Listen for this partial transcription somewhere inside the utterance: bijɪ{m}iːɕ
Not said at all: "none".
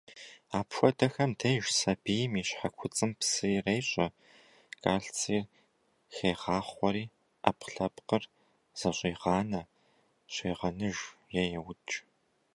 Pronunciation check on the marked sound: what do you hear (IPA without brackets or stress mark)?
m